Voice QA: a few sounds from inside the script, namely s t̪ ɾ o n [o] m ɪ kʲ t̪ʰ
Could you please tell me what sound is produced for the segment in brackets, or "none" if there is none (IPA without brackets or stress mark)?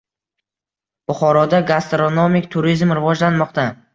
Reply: o